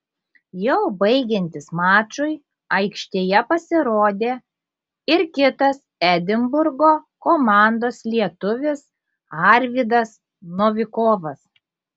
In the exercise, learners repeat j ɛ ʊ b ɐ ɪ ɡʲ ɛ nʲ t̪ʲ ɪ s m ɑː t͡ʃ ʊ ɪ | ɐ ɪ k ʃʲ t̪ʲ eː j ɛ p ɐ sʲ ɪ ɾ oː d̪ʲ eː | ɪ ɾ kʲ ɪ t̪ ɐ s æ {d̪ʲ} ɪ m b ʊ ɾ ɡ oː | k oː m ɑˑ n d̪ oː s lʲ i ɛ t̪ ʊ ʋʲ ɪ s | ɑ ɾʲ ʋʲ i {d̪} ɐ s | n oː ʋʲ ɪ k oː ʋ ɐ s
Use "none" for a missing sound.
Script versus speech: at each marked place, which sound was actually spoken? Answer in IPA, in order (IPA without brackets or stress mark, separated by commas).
d̪ʲ, d̪